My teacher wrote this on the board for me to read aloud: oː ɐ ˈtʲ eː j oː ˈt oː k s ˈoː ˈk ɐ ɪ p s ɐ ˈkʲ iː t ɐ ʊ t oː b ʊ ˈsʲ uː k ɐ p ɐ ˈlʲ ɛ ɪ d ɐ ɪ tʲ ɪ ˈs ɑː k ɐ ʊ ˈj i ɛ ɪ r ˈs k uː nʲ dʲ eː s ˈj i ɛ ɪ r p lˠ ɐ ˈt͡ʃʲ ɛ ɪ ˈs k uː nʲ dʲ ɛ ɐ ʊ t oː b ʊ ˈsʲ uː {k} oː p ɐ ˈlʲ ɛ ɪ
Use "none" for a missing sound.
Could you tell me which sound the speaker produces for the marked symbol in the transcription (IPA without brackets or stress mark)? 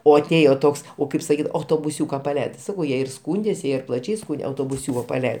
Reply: k